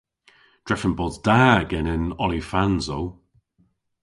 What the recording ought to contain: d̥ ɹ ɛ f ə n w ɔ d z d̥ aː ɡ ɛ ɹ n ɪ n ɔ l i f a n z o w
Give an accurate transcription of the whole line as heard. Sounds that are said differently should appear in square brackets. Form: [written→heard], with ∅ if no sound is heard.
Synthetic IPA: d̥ ɹ ɛ f ə n [w→b] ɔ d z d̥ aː ɡ ɛ [ɹ→∅] n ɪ n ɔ l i f a n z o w